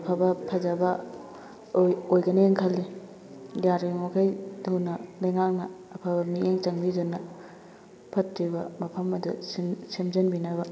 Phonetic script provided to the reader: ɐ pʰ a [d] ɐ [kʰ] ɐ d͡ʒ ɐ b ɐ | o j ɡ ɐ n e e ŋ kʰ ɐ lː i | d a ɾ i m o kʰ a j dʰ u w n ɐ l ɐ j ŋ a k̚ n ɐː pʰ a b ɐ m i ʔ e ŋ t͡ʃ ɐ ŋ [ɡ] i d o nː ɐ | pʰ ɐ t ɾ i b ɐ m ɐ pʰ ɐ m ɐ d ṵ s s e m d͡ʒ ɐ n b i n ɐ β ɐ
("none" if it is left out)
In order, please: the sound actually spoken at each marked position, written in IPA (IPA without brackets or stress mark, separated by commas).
b, pʰ, b